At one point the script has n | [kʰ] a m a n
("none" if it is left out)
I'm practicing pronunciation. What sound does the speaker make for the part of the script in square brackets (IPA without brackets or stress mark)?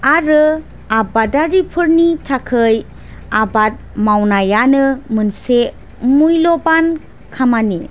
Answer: kʰ